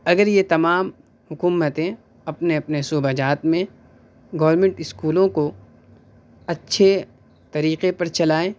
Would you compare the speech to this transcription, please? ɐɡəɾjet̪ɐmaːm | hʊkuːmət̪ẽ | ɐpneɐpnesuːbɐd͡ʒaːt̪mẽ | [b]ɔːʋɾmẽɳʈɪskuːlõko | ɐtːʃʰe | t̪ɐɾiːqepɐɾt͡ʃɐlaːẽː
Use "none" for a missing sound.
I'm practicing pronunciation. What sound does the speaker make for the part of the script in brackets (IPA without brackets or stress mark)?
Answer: ɡ